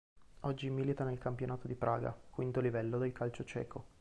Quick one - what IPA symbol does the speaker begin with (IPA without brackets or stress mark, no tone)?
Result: ɔ